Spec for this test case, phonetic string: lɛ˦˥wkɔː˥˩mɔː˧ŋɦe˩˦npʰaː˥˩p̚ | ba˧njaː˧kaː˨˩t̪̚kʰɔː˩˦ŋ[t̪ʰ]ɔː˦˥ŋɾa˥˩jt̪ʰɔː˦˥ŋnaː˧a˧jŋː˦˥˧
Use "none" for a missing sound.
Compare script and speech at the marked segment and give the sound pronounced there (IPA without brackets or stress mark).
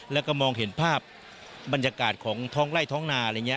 t̪ʰ